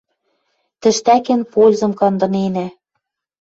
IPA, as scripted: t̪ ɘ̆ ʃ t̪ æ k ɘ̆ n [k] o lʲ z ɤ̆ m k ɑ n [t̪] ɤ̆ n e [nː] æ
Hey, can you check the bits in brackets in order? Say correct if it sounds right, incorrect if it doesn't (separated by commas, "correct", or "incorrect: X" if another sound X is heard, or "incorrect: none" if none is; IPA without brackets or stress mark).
incorrect: p, incorrect: d̪, incorrect: n